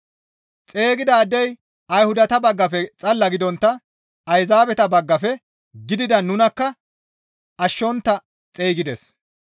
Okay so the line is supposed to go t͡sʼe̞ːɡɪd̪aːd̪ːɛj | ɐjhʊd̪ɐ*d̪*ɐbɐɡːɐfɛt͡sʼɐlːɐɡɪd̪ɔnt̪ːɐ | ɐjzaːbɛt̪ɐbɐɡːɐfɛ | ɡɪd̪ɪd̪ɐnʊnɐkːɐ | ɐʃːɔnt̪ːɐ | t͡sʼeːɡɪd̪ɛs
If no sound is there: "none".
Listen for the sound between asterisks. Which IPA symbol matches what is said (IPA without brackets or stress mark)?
t̪